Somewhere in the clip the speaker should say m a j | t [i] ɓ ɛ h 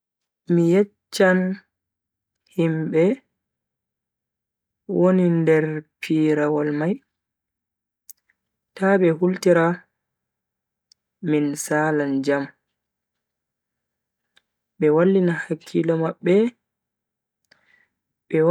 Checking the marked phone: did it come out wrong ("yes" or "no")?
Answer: yes